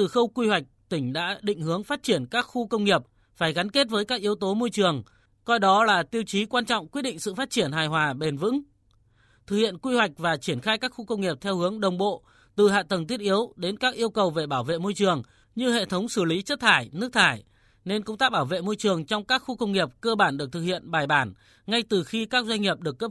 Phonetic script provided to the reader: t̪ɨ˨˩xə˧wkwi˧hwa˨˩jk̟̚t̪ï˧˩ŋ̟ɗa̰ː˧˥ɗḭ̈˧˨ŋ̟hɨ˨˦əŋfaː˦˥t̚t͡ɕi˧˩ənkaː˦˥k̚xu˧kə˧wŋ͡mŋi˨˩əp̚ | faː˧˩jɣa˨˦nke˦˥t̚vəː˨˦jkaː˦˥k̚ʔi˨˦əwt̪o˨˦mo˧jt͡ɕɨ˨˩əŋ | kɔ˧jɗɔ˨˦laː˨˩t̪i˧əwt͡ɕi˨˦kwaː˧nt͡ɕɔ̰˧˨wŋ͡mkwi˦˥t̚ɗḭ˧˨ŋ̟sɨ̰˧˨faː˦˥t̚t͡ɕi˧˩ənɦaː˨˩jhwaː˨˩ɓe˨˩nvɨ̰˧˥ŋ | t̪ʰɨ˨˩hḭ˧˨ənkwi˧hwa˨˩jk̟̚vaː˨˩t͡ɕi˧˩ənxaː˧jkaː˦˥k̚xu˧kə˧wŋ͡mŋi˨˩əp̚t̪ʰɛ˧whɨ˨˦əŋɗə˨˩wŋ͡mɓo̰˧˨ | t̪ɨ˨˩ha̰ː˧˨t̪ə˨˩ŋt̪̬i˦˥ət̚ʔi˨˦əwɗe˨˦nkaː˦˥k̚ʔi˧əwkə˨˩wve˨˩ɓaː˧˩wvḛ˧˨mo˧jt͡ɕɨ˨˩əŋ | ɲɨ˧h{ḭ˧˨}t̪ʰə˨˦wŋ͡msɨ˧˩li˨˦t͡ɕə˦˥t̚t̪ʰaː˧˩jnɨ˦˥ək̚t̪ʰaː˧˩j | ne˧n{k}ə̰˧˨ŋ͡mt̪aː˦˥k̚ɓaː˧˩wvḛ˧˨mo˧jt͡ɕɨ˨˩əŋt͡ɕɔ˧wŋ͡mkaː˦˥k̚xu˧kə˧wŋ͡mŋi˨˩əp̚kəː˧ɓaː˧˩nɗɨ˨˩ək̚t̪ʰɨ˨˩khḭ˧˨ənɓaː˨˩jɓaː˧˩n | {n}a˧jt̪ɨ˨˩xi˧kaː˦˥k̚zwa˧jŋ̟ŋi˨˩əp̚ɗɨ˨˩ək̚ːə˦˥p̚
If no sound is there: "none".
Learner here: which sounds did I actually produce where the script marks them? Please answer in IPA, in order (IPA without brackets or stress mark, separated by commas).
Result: ḛ˧˨, k, ŋ